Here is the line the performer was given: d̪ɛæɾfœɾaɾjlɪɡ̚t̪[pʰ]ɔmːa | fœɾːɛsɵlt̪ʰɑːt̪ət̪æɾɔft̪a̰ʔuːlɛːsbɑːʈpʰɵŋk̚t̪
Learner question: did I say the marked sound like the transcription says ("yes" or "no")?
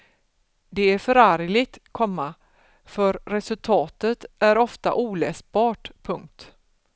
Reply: no